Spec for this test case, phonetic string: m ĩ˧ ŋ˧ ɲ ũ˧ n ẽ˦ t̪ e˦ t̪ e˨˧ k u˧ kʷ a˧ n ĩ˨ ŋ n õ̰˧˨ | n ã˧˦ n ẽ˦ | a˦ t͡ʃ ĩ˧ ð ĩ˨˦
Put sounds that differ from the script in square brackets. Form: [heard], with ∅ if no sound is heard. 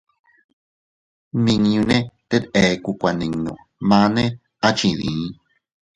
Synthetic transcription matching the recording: m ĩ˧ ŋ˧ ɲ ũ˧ n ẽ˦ t̪ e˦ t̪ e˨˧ k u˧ kʷ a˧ n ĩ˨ ŋ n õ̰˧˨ | [m] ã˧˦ n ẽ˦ | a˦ t͡ʃ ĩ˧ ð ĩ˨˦